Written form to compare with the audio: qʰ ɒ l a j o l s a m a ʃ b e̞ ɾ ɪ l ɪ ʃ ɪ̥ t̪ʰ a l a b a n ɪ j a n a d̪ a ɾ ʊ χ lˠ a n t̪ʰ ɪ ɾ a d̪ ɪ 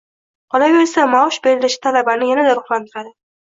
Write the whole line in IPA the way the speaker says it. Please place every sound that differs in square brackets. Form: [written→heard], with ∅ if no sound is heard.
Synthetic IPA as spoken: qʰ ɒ l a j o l s a m a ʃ b e̞ ɾ ɪ l ɪ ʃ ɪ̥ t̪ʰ a l a b a n ɪ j a n a d̪ a ɾ ʊ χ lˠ a n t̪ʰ ɪ ɾ a d̪ ɪ